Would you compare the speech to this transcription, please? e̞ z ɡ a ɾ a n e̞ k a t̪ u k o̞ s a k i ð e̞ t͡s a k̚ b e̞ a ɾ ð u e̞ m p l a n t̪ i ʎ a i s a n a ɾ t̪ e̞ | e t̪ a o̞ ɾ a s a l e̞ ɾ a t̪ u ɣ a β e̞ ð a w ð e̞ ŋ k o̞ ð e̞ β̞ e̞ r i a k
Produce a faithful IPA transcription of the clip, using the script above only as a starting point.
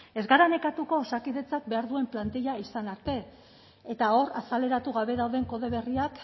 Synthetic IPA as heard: e̞ z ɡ a ɾ a n e̞ k a t̪ u k o̞ s a k i ð e̞ t͡s a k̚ b e̞ a ɾ ð u e̞ m p l a n t̪ i ʎ a i s a n a ɾ t̪ e̞ | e t̪ a o̞ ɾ a s a l e̞ ɾ a t̪ u ɣ a β e̞ ð a w ð e̞ ŋ k o̞ ð e̞ β̞ e̞ r i a k